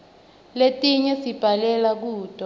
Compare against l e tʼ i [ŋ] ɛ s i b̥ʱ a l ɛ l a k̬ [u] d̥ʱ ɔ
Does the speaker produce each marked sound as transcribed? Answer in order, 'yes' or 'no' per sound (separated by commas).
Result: no, no